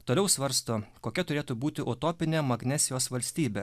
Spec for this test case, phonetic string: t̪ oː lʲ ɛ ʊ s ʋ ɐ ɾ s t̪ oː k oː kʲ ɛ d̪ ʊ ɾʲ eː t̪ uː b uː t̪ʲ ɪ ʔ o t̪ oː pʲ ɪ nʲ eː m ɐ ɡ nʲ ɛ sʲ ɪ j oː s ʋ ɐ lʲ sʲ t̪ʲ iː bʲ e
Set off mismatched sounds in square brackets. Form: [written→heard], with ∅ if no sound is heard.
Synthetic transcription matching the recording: t̪ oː lʲ ɛ ʊ s ʋ ɐ ɾ s t̪ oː k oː kʲ ɛ [d̪→t̪] ʊ ɾʲ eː t̪ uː b uː t̪ʲ ɪ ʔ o t̪ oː pʲ ɪ nʲ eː m ɐ ɡ nʲ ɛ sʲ ɪ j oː s ʋ ɐ lʲ sʲ t̪ʲ iː bʲ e